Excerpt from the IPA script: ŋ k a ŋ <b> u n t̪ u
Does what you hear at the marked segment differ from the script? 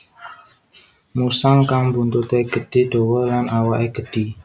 no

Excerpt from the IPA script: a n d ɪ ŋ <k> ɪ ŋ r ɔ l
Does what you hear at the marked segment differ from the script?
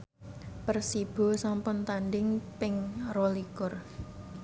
yes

